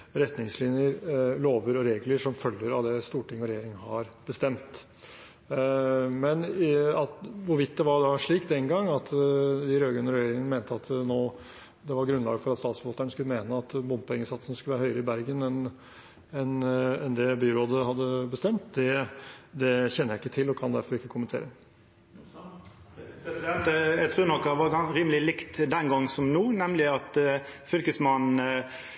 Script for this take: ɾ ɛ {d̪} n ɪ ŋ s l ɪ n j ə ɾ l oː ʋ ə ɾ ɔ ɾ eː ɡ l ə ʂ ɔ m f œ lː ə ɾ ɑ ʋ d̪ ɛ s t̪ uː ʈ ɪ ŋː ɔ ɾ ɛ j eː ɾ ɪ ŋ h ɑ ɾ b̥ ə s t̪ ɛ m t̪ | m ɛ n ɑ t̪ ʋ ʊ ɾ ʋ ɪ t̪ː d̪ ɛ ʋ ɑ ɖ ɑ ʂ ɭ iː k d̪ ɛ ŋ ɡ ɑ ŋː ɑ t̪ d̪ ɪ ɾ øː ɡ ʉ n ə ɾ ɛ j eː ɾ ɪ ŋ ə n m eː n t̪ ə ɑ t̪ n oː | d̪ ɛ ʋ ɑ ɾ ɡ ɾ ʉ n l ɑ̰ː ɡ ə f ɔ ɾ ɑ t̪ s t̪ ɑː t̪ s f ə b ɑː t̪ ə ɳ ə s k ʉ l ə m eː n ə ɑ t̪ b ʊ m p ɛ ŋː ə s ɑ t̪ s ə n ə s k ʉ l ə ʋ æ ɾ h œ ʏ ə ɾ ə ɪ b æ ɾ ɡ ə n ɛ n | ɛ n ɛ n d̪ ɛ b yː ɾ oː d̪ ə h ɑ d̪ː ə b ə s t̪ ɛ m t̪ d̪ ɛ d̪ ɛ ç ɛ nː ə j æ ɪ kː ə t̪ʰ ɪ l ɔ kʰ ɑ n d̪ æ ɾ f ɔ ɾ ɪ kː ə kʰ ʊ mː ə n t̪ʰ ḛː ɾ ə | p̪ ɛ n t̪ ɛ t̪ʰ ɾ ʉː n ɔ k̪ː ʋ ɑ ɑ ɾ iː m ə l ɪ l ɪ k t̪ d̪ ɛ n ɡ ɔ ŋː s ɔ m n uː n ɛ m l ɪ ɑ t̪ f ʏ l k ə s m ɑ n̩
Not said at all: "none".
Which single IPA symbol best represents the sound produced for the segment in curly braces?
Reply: t̪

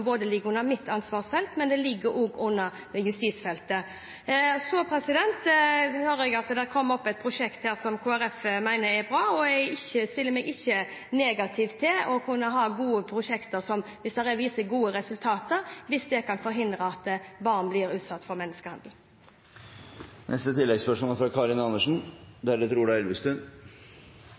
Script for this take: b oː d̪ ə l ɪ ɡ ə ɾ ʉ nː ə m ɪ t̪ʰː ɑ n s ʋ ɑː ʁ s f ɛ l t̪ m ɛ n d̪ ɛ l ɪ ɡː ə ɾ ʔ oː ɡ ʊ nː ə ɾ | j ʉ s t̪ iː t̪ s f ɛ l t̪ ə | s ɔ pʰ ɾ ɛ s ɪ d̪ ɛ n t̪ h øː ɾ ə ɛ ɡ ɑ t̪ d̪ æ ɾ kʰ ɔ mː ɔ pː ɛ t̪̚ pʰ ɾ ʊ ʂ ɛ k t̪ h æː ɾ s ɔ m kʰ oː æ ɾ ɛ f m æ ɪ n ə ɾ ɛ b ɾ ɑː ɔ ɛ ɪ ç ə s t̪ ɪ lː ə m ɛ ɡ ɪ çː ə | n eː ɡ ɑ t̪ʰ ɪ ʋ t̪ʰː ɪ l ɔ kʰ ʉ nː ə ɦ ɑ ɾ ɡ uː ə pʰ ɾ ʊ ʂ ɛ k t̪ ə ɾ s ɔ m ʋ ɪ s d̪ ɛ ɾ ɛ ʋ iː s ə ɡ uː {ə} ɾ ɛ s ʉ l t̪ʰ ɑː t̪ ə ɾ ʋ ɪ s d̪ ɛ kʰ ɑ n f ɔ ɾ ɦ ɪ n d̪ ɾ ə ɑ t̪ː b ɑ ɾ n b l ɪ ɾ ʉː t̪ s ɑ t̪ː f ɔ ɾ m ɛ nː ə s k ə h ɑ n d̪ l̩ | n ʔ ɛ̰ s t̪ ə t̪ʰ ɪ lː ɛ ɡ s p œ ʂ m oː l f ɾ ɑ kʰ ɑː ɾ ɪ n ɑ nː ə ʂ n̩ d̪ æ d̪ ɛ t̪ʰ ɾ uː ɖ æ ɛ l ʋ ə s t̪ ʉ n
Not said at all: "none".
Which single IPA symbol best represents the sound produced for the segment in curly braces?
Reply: ə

